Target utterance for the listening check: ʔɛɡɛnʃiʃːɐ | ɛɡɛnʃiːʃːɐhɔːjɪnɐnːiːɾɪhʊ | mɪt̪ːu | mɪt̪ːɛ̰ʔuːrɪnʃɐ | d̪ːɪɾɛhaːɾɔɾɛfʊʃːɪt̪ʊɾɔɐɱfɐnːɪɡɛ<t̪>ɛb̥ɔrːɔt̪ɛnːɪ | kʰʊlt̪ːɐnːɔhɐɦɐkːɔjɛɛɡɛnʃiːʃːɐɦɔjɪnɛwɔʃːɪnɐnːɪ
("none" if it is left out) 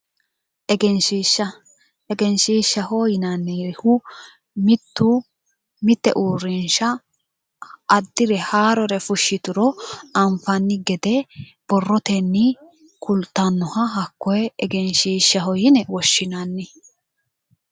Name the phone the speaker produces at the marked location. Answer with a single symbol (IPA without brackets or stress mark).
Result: d̪